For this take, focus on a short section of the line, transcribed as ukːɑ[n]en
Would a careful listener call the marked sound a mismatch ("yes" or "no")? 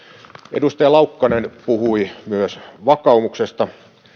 no